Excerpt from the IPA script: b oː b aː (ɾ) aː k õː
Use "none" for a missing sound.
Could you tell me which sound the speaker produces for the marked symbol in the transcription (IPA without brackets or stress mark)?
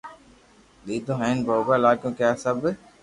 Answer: l